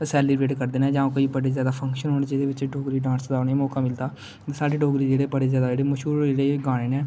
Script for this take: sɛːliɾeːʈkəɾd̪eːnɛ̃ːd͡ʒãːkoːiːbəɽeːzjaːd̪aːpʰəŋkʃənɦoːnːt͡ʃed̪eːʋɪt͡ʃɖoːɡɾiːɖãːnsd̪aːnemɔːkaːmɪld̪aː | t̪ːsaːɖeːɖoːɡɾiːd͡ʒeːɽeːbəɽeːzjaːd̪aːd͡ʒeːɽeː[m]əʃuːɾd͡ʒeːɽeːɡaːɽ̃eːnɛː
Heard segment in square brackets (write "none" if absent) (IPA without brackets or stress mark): m